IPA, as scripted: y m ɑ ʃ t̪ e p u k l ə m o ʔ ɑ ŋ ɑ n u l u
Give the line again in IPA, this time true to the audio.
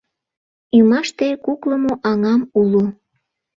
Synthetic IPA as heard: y m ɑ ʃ t̪ e k u k l ə m o ʔ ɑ ŋ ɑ m u l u